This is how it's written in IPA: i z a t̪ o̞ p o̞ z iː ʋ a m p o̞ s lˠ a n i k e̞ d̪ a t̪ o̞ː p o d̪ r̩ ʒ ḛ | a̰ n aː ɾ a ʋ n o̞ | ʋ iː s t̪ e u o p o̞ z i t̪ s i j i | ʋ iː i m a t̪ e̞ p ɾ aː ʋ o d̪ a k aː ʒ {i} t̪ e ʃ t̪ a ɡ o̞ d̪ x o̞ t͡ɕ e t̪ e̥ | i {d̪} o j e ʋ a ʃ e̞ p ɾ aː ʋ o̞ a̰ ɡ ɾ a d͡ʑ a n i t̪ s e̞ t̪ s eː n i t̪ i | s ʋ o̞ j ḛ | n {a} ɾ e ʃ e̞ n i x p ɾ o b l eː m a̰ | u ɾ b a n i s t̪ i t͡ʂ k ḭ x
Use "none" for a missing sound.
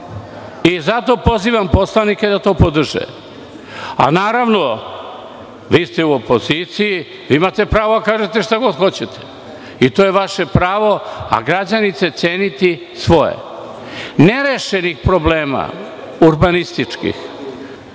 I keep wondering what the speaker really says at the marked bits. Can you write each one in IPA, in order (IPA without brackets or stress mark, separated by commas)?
e, t̪, e